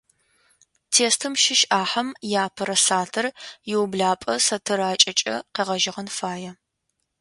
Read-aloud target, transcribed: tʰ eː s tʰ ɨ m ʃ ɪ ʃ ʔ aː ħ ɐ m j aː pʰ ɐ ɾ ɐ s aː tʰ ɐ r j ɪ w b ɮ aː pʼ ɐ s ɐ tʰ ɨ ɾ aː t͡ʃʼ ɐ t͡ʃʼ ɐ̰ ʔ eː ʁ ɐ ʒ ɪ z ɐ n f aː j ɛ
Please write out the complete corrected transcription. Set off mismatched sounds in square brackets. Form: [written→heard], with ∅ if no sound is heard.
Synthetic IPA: tʰ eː s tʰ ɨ m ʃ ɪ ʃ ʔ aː ħ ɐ m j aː pʰ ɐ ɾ ɐ s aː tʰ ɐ r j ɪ w b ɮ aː pʼ ɐ s ɐ tʰ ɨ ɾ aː t͡ʃʼ ɐ t͡ʃʼ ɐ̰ [ʔ→q] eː ʁ ɐ ʒ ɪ [z→ʁ] ɐ n f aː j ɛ